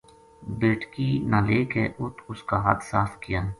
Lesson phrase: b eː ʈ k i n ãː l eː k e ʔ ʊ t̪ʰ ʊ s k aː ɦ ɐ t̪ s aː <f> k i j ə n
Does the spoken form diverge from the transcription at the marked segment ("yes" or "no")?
no